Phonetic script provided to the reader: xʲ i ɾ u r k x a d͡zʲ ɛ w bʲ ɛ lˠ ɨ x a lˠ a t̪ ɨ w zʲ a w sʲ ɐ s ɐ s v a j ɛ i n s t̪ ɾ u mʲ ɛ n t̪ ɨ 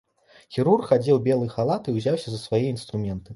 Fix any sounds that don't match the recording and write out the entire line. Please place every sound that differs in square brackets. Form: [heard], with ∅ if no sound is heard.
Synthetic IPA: xʲ i ɾ u r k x a d͡zʲ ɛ w bʲ ɛ lˠ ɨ x a lˠ a t̪ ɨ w zʲ a w sʲ ɐ [z] ɐ s v a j ɛ i n s t̪ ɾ u mʲ ɛ n t̪ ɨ